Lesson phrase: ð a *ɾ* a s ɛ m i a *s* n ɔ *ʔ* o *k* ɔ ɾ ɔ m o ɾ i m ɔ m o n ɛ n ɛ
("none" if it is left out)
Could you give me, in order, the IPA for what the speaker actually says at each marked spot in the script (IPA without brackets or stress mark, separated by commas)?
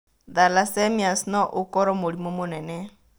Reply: l, s, ʔ, k